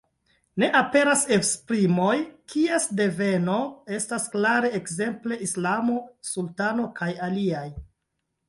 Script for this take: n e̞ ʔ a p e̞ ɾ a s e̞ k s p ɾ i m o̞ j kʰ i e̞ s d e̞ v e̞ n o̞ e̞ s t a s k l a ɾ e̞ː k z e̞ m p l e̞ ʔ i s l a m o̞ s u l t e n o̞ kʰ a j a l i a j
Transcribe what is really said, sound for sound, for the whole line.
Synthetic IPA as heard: n e̞ ʔ a p e̞ ɾ a s e̞ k s p ɾ i m o̞ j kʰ i e̞ s d e̞ v e̞ n o̞ e̞ s t a s k l a ɾ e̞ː k z e̞ m p l e̞ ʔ i s l a m o̞ s u l t a n o̞ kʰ a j a l i a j